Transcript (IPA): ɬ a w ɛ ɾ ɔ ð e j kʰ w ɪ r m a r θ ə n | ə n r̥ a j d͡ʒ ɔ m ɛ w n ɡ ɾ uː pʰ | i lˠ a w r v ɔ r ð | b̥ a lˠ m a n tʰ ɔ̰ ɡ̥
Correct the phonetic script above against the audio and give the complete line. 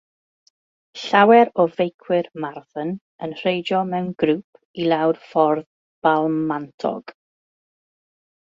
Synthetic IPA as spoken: ɬ a w ɛ ɾ ɔ v e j kʰ w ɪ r m a r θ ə n | ə n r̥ e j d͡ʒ ɔ m ɛ w n ɡ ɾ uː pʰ | i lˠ a w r f ɔ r ð | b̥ a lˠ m a n tʰ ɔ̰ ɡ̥